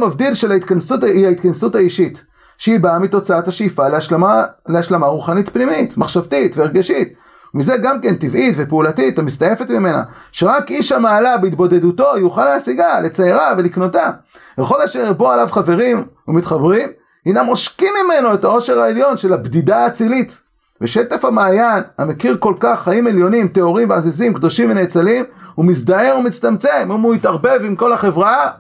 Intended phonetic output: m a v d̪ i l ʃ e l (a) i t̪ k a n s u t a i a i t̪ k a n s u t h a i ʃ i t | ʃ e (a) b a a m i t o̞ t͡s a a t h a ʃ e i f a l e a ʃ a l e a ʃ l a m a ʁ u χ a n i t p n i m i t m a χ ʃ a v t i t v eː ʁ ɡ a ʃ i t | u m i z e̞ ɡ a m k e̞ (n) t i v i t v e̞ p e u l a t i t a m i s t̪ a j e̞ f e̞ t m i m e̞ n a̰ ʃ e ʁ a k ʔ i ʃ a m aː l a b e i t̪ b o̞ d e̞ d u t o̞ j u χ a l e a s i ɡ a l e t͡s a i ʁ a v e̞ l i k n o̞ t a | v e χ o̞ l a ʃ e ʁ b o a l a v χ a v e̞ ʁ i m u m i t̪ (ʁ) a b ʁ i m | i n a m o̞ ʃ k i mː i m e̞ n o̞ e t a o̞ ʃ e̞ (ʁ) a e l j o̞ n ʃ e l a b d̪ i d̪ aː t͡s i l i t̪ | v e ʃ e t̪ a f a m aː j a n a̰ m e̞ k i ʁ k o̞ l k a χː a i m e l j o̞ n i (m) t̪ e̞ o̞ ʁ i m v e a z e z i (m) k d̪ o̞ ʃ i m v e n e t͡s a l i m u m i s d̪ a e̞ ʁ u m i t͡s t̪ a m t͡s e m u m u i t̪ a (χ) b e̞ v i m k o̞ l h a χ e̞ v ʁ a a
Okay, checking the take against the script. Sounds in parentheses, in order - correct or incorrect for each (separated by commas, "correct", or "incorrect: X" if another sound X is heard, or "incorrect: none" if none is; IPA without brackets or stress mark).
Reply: correct, incorrect: i, correct, incorrect: χ, correct, correct, correct, incorrect: ʁ